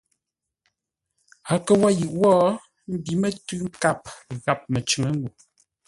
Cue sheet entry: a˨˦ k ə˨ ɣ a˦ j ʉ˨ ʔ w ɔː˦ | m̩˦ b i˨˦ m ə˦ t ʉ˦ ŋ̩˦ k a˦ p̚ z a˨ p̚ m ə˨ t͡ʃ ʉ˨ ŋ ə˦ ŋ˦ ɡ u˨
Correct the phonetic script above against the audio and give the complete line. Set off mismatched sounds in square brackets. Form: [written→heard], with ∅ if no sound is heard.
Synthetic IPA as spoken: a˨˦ k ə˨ [ɣ→w] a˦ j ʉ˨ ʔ w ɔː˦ | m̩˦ b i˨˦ m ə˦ t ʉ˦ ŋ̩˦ k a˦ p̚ [z→ɣ] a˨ p̚ m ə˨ t͡ʃ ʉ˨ ŋ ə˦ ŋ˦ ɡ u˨